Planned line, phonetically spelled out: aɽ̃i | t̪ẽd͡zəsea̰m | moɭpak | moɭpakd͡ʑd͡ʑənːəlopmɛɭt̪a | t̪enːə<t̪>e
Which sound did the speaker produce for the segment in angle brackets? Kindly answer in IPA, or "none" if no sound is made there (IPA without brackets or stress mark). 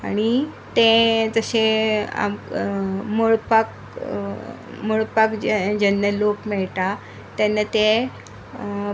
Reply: t̪